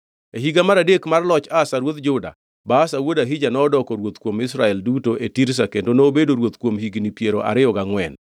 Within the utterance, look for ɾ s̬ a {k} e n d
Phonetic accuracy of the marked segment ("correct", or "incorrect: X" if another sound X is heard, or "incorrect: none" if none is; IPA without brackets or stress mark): correct